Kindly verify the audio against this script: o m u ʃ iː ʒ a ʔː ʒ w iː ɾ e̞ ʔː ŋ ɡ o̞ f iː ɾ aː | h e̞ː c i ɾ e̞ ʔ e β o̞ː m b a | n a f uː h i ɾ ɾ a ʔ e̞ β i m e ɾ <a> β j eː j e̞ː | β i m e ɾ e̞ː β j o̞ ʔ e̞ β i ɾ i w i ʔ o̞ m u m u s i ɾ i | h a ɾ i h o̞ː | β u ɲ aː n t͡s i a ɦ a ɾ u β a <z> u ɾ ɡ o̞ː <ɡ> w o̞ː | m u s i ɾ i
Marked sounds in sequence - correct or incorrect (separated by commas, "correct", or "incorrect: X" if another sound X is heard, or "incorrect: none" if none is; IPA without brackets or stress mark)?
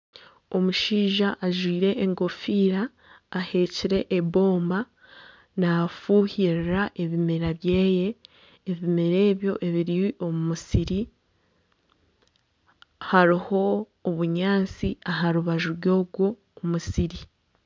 correct, incorrect: ʒ, correct